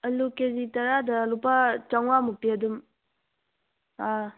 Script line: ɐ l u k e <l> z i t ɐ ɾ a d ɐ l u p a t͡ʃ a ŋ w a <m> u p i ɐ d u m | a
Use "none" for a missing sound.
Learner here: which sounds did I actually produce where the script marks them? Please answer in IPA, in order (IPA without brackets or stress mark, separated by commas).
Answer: none, m